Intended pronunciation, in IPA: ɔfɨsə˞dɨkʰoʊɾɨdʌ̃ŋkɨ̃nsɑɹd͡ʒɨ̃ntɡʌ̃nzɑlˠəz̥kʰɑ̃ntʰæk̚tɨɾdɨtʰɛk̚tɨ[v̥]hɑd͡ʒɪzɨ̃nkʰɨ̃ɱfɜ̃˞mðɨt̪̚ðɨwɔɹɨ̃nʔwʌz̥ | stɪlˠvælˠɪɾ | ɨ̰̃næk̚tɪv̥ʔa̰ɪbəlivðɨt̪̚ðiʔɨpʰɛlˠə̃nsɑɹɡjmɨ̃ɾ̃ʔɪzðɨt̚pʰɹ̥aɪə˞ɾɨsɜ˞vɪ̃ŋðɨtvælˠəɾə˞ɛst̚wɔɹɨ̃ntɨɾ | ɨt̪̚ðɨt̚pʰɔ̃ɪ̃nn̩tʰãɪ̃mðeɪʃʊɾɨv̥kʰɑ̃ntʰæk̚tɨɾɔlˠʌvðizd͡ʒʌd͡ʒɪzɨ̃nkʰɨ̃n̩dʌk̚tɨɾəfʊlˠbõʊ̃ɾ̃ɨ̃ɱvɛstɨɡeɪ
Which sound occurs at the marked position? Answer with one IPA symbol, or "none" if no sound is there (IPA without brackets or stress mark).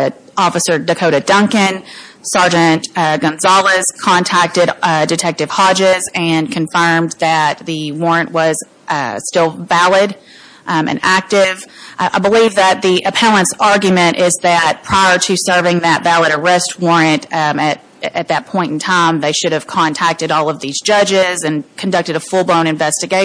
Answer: v̥